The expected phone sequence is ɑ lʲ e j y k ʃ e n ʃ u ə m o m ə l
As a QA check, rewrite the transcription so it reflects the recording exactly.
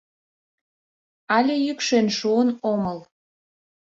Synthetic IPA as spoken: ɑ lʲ e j y k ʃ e n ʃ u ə n o m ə l